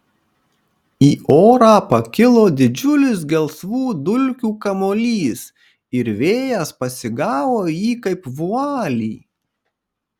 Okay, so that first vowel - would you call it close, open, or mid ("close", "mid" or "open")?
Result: close